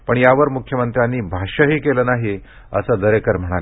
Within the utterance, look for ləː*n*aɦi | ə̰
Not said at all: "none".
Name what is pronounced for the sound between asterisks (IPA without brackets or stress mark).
n